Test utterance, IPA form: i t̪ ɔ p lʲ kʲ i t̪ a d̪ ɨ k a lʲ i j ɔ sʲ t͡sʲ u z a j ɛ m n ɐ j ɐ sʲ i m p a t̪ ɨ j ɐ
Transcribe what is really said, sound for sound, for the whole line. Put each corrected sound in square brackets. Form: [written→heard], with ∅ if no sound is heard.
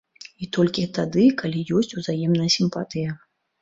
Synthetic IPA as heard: i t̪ ɔ [p→∅] lʲ kʲ i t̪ a d̪ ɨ k a lʲ i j ɔ sʲ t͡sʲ u z a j ɛ m n ɐ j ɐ sʲ i m p a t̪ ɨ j ɐ